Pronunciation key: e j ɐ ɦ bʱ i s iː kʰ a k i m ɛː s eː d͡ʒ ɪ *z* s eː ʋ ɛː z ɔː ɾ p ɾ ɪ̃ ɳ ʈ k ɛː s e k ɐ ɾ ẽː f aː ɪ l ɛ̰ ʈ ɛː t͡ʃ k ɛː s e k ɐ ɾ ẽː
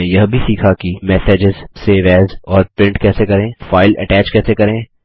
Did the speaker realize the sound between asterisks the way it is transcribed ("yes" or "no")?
yes